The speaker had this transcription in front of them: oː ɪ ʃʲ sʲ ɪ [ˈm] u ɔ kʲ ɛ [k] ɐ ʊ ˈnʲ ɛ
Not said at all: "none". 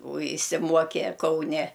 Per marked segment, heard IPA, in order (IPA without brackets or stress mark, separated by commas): m, k